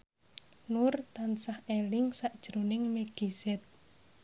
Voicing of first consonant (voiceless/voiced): voiced